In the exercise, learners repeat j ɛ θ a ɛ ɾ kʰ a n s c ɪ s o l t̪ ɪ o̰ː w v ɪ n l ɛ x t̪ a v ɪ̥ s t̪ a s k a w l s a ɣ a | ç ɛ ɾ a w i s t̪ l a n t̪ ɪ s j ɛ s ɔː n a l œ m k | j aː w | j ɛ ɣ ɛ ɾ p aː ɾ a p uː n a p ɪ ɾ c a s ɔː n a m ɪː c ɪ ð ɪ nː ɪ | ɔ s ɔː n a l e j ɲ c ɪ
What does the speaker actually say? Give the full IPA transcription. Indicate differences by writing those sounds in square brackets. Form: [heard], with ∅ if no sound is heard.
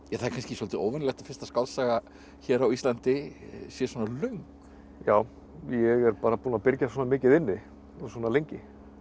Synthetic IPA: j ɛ θ a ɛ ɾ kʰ a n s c ɪ s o l t̪ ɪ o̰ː w v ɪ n l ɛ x t̪ a [f] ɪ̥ s t̪ a s k a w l s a ɣ a | ç ɛ ɾ a w i s t̪ l a n t̪ ɪ s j ɛ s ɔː n a l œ [ŋ] k | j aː w | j ɛ ɣ ɛ ɾ p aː ɾ a p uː n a p ɪ ɾ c a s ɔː n a m ɪː c ɪ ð ɪ nː ɪ | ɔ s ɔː n a l e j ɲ c ɪ